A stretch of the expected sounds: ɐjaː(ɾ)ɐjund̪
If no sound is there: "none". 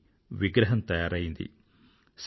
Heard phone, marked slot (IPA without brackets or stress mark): ɾ